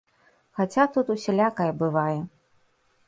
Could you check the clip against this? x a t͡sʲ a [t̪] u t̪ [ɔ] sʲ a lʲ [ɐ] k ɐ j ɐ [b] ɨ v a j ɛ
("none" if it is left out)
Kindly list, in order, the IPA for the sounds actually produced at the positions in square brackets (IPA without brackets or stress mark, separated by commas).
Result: t̪, u, a, b